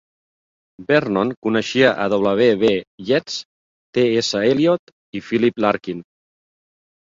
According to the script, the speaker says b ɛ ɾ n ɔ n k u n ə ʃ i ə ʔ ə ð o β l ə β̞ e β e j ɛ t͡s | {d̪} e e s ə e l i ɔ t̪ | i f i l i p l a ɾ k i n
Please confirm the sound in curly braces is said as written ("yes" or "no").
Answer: no